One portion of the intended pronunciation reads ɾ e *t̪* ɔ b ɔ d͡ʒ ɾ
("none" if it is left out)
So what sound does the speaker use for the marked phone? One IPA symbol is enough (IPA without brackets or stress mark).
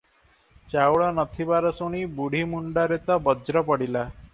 t̪